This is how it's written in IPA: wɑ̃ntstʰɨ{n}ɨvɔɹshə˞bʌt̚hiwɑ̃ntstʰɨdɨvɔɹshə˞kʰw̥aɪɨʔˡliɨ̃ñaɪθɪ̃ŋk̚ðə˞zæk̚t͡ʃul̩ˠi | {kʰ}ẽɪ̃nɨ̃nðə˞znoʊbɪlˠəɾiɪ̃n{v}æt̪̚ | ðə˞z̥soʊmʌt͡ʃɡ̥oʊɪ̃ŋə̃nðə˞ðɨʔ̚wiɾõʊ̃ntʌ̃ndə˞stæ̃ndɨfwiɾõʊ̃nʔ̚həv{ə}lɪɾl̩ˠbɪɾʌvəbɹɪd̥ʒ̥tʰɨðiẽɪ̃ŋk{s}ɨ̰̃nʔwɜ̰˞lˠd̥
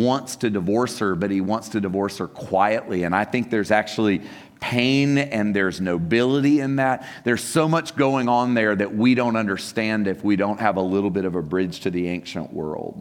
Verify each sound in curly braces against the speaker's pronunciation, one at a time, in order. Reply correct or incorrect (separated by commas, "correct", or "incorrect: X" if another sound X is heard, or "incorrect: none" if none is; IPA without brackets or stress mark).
incorrect: d, incorrect: pʰ, incorrect: ð, correct, incorrect: ʃ